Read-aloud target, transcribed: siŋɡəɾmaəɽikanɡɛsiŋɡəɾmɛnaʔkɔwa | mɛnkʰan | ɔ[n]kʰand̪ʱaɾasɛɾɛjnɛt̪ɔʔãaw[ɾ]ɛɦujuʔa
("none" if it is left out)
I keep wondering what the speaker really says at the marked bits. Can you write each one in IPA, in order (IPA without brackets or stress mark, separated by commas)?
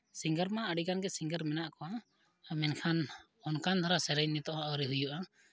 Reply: n, ɾ